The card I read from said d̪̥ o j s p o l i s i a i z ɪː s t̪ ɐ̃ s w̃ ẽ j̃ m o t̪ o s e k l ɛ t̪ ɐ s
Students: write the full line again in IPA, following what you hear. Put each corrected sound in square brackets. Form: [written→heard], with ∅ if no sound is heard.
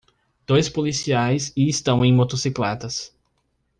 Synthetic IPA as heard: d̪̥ o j s p o l i s i a [i→j] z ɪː s t̪ ɐ̃ [s→∅] w̃ ẽ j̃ m o t̪ o s [e→i] k l ɛ t̪ ɐ s